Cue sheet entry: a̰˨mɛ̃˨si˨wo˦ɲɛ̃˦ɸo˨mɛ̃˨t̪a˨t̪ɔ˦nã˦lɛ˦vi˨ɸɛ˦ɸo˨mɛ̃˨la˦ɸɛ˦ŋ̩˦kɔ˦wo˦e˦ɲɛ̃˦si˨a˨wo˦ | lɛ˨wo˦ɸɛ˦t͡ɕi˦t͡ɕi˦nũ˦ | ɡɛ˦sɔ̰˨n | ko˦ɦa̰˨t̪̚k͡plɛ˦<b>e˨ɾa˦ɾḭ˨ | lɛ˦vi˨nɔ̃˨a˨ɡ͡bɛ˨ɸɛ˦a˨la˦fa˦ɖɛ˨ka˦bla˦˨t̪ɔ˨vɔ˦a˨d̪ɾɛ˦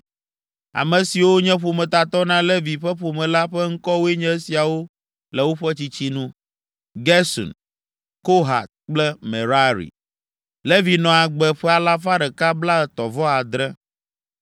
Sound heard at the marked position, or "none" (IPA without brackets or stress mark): m